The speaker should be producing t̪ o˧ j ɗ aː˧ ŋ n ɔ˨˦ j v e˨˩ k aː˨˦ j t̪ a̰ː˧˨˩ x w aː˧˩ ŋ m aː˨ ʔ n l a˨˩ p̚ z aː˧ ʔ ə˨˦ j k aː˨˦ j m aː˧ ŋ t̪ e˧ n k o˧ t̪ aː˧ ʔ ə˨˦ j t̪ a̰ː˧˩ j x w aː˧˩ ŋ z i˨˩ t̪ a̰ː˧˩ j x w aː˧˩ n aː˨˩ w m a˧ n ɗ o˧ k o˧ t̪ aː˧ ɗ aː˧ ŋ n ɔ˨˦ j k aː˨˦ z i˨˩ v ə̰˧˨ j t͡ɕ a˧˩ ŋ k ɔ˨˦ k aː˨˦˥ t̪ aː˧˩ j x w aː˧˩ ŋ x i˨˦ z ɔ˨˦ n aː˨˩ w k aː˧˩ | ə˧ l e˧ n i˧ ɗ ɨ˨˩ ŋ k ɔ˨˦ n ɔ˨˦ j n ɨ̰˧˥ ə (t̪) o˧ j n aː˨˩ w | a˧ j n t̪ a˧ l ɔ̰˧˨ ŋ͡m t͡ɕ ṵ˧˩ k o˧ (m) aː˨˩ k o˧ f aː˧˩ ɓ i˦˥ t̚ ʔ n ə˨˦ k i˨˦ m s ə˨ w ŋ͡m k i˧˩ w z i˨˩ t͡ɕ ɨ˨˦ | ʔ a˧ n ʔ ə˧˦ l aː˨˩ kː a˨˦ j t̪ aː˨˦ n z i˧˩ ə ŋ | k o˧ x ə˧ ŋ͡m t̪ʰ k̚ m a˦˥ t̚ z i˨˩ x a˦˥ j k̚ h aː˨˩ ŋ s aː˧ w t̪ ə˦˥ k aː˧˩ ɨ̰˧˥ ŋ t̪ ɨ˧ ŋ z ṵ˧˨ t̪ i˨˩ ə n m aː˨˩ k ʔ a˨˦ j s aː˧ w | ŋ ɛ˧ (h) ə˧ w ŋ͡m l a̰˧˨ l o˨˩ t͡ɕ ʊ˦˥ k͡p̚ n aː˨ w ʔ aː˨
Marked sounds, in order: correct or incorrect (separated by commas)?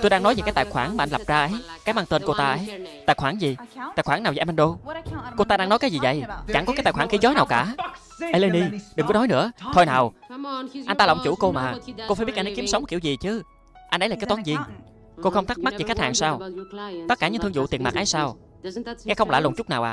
incorrect, correct, incorrect